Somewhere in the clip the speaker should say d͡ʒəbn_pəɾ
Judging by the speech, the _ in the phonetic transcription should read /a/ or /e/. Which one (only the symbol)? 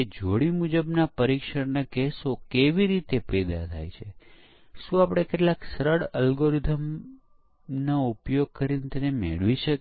a